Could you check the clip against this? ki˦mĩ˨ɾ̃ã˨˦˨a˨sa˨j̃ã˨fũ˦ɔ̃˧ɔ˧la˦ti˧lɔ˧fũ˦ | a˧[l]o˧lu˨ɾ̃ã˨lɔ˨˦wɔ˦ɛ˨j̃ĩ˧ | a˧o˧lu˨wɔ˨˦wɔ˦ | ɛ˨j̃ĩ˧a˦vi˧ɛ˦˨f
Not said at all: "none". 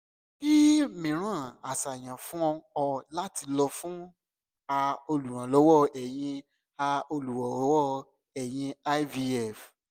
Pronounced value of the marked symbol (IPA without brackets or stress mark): none